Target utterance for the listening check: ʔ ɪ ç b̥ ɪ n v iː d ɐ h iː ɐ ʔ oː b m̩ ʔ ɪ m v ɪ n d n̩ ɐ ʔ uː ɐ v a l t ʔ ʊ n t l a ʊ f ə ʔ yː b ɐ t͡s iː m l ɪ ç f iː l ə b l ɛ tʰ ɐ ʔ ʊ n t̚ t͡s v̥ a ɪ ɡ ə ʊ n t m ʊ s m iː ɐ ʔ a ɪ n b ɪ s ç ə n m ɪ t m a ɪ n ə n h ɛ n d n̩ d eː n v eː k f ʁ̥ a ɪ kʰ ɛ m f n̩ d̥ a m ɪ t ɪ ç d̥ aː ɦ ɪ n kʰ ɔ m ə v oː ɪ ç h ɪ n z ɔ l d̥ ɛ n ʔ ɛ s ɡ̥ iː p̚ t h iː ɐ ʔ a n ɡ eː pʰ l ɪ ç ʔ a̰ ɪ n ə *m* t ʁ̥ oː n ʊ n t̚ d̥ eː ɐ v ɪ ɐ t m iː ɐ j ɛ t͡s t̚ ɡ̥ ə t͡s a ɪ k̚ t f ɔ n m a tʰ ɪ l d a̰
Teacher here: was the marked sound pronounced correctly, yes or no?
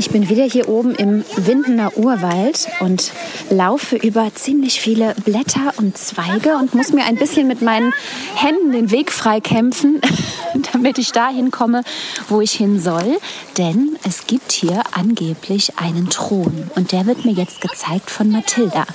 no